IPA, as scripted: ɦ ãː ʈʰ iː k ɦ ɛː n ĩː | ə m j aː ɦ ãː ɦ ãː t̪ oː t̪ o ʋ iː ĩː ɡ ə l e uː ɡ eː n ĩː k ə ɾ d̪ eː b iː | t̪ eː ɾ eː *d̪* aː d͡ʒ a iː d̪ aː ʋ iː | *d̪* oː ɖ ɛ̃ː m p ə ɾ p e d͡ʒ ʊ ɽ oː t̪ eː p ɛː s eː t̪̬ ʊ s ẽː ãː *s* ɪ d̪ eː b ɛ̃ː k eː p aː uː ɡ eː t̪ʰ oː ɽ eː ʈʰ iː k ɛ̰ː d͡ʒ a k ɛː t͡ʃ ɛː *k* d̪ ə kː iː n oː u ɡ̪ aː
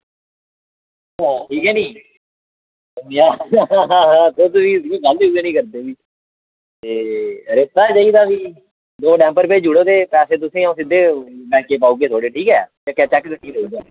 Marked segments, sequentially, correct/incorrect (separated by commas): incorrect, correct, correct, correct